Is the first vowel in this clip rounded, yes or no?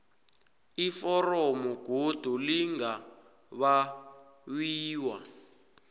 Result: no